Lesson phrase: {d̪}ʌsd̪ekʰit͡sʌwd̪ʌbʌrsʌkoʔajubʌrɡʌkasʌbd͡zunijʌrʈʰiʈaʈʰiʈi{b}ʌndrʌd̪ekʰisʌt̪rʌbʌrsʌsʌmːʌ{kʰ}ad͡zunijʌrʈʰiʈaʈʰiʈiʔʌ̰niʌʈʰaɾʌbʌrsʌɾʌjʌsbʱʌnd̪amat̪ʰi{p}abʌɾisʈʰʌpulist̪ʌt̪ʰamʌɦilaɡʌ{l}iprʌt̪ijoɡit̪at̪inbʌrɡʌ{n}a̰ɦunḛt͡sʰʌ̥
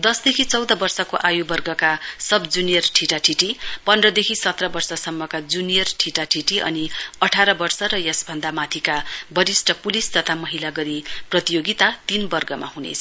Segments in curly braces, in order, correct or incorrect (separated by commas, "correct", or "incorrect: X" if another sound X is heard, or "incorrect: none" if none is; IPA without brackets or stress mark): correct, incorrect: p, incorrect: k, incorrect: k, incorrect: ɾ, incorrect: m